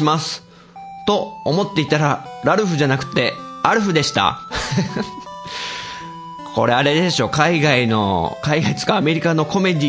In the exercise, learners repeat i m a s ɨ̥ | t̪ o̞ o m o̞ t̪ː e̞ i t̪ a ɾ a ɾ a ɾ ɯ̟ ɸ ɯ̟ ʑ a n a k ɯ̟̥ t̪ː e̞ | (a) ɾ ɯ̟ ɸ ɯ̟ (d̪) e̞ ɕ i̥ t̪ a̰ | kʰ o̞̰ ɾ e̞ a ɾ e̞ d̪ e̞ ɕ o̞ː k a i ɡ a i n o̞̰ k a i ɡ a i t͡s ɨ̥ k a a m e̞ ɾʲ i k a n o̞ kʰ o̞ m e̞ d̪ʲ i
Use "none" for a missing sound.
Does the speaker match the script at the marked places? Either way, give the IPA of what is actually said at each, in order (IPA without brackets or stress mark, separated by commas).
a, d̪